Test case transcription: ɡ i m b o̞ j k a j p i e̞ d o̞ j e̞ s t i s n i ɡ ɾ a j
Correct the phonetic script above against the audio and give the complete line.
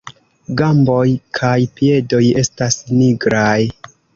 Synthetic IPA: ɡ a m b o̞ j kʰ a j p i e̞ d o̞ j e̞ s t a s n i ɡ ɾ a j